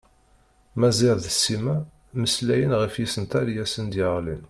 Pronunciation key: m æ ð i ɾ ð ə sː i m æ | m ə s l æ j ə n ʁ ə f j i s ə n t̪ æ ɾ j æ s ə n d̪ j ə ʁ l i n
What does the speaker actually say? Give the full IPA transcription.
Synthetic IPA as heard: m æ z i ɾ ð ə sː i m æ | m ə s l æ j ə n ʁ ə f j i s ə n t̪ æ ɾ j æ s ə n d̪ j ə ʁ l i n

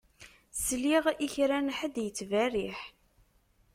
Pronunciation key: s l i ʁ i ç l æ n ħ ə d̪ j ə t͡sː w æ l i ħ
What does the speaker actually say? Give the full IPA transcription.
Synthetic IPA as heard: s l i ʁ i ç ɾ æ n ħ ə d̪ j ə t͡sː v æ r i ħ

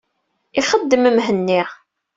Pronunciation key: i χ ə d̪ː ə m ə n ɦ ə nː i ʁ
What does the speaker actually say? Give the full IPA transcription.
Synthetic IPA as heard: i χ ə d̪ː ə m ə m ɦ ə nː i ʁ

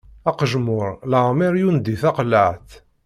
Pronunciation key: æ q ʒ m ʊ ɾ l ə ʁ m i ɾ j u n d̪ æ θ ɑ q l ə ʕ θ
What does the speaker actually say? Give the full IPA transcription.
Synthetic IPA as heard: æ q ʒ m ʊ ɾ l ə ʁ m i ɾ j u n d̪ i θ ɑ q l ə ʕ θ

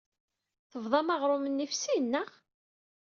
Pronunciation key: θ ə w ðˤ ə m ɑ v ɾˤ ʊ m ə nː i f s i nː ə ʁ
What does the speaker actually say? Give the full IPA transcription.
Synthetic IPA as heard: θ ə v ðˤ ɑ m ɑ ʁ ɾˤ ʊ m ə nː i f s i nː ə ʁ

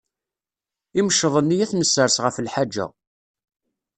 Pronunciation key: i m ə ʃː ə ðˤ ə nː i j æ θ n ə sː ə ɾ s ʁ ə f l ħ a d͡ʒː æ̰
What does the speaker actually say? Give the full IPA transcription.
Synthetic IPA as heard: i m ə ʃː ə ðˤ ə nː i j æ θ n ə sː ə ɾ s ʁ ə f l ħ a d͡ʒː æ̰

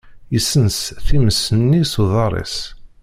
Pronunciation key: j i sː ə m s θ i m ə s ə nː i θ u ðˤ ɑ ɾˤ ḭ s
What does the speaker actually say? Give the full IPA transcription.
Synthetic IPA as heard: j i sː ə n s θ i m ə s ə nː i s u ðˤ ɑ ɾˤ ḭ s

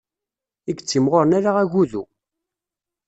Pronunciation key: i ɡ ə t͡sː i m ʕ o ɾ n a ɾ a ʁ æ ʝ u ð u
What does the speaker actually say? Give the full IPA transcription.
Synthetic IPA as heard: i ɡ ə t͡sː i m ʁ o ɾ n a ɾ a ʁ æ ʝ u ð u

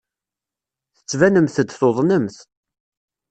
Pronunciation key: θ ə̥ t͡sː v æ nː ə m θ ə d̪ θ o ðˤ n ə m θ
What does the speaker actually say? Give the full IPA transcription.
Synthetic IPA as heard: θ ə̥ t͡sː v æ n ə m θ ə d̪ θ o ðˤ n ə m θ

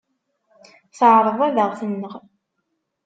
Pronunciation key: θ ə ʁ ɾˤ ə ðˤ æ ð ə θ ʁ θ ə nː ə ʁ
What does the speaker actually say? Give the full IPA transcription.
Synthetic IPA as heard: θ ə ʕ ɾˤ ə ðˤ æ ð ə ʁ θ ə nː ə ʁ

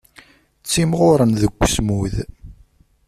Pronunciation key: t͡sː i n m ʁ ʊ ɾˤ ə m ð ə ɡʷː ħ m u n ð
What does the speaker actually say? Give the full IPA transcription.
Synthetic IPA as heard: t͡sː i m ʁ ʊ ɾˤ ə n ð ə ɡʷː s m u ð

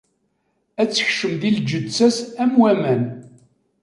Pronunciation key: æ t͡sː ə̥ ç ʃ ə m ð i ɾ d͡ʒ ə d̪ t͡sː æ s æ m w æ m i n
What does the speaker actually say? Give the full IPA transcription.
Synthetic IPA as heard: æ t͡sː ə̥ ç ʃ ə m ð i l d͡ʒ ə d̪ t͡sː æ s æ m w æ m æ n

